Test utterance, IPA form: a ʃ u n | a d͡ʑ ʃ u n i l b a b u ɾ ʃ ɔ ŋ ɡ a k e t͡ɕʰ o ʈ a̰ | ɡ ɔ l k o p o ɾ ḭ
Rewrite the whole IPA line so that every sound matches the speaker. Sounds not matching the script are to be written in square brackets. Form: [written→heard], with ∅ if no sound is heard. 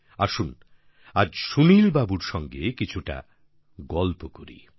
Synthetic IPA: a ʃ u n | a d͡ʑ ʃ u n i l b a b u ɾ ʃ ɔ ŋ ɡ [a→e] k [e→i] t͡ɕʰ [o→u] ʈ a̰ | ɡ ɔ l [k→p] o [p→k] o ɾ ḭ